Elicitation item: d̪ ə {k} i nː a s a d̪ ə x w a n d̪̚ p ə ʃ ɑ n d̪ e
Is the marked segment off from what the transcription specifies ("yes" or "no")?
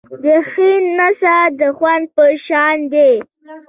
yes